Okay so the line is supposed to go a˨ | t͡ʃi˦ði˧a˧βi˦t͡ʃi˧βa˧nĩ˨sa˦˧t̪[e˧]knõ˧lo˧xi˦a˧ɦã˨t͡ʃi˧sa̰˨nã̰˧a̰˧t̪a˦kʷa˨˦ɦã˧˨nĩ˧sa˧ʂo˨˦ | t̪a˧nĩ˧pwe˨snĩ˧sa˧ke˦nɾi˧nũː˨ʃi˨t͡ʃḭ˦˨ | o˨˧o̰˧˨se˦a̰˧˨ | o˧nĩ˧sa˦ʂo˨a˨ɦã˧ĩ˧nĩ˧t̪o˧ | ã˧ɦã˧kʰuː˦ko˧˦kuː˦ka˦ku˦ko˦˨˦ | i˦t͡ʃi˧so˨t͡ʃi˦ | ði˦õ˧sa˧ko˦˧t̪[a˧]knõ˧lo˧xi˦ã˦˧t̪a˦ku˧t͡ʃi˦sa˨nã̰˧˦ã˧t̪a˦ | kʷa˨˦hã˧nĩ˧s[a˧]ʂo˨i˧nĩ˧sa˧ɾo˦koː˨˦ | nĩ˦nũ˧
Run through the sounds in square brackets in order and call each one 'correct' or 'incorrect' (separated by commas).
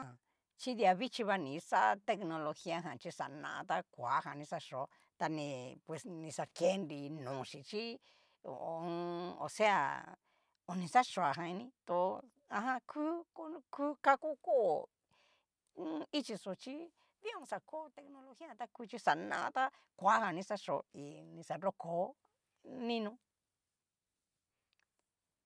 correct, incorrect, correct